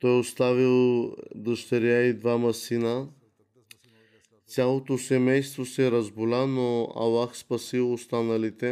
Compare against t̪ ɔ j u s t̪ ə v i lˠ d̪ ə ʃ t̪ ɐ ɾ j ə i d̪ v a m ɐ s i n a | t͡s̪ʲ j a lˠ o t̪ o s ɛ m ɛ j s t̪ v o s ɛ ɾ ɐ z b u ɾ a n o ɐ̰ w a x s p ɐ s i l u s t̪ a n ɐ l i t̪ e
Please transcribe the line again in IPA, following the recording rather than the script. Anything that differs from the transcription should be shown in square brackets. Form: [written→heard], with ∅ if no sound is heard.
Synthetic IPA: t̪ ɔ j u s t̪ [ə→a] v i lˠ d̪ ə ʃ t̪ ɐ ɾ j [ə→a] i d̪ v a m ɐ s i n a | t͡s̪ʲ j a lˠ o t̪ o s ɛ m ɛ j s t̪ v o s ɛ ɾ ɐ z b u [ɾ→l] a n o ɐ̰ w a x s p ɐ s i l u s t̪ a n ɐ l i t̪ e